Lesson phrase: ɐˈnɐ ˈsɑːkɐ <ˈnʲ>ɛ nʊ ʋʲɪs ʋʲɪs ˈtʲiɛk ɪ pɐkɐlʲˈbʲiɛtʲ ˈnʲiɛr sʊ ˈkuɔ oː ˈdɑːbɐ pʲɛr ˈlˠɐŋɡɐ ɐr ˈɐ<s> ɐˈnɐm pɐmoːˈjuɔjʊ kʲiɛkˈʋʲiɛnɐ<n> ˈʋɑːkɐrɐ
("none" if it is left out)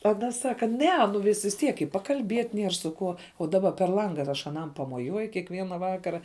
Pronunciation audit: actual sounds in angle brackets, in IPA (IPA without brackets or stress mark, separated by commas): nʲ, ʃ, none